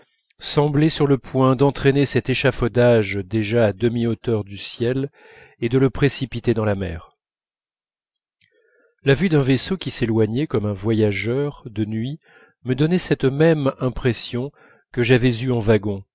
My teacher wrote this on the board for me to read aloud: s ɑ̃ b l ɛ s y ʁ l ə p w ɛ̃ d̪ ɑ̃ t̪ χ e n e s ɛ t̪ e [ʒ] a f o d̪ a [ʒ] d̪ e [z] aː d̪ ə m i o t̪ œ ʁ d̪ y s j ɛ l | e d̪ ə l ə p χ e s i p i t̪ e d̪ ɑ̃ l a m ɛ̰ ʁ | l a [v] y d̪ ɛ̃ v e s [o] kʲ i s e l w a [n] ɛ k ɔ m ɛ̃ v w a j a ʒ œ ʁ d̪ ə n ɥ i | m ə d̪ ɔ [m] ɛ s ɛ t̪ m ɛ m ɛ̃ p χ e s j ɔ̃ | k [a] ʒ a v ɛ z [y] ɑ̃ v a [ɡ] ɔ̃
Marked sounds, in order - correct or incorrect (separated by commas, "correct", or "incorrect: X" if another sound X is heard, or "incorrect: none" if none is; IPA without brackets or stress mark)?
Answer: incorrect: ʃ, correct, incorrect: ʒ, correct, correct, incorrect: ɲ, incorrect: n, incorrect: ə, correct, correct